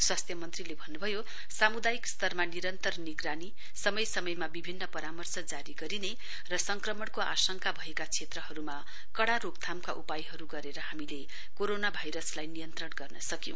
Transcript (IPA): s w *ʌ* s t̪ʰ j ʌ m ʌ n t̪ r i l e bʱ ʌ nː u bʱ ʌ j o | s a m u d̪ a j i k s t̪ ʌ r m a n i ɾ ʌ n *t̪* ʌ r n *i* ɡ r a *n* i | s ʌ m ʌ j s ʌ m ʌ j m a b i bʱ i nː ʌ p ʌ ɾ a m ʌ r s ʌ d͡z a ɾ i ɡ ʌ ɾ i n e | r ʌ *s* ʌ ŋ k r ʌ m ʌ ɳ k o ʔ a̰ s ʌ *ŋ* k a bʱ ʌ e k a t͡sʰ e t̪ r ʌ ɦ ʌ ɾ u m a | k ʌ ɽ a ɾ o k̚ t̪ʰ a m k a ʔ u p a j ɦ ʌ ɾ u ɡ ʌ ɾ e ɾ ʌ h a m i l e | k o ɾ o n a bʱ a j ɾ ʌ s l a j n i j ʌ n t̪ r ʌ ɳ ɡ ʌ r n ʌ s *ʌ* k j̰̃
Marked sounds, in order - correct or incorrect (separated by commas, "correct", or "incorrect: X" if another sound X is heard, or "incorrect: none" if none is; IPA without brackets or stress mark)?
incorrect: a, correct, correct, correct, correct, correct, correct